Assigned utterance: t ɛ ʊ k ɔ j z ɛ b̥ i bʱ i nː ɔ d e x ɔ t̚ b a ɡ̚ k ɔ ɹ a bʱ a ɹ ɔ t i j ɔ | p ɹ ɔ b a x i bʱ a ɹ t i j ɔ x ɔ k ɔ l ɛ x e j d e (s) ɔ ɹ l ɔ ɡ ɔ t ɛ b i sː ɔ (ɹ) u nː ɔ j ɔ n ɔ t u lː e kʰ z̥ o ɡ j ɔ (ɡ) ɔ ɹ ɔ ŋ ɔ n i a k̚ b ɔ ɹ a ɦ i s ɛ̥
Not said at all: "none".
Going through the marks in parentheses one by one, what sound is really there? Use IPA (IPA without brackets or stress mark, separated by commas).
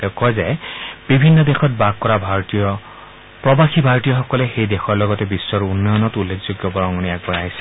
x, ɹ, b